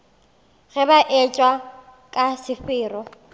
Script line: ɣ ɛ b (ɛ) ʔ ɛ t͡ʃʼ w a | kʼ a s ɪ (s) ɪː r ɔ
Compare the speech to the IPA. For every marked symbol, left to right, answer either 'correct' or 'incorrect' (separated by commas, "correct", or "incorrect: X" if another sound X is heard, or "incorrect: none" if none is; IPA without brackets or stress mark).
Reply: incorrect: a, incorrect: f